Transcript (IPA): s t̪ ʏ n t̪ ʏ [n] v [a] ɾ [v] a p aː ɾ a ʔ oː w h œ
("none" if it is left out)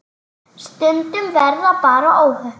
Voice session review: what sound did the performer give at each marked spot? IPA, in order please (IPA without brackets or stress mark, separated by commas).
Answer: m, ɛ, ð